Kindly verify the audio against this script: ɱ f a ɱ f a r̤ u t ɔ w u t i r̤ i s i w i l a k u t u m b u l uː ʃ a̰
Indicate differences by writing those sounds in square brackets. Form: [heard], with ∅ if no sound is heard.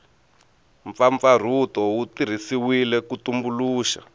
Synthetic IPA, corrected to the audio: ɱ f a ɱ f a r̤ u t ɔ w u t i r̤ i s i w i l [ɛ] k u t u m b u l uː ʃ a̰